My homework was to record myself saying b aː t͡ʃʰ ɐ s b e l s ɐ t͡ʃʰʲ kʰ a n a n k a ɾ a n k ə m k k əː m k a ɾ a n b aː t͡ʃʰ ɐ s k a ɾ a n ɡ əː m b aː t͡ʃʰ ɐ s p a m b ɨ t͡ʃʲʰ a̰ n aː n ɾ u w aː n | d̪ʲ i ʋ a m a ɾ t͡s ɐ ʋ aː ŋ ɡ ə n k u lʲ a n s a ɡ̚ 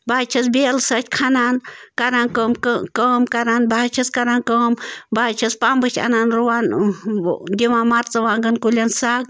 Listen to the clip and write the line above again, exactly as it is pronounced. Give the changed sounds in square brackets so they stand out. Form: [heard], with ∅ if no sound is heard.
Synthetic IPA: b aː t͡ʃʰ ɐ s b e l s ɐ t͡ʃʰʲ kʰ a n a n k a ɾ a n k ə m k k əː m k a ɾ a n b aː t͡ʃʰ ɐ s k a ɾ a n [k] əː m b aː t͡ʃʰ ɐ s p a m b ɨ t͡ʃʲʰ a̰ n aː n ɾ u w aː n | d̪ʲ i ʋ a m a ɾ t͡s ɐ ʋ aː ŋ ɡ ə n k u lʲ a n s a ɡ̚